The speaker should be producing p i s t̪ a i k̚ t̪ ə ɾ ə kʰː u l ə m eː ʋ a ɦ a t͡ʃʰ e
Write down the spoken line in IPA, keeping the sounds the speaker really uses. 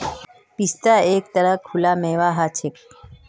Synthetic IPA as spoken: p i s t̪ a e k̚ t̪ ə ɾ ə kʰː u l a m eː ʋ a ɦ a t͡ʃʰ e